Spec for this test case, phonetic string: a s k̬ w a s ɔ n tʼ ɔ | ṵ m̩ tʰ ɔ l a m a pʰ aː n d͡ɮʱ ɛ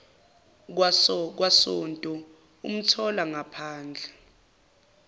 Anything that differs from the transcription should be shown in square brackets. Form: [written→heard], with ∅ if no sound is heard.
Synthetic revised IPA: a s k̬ w a s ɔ n tʼ ɔ | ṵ m̩ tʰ ɔ l a [m→ŋ] a pʰ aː n d͡ɮʱ ɛ